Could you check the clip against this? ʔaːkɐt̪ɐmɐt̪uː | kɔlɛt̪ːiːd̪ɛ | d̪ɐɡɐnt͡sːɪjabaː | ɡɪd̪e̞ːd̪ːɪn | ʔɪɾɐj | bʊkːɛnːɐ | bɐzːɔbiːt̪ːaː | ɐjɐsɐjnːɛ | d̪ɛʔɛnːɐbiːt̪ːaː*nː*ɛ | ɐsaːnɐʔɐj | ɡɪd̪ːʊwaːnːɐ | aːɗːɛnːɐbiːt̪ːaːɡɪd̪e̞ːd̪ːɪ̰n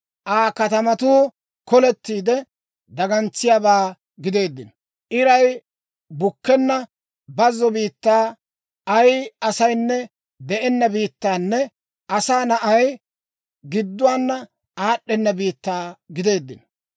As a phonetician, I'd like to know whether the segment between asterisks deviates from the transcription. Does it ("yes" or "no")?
no